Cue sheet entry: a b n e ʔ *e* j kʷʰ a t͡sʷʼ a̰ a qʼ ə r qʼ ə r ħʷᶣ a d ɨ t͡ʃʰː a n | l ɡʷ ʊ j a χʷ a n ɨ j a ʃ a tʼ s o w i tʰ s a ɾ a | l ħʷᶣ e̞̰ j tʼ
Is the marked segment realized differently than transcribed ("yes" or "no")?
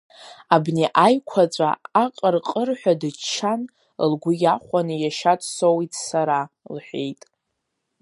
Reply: yes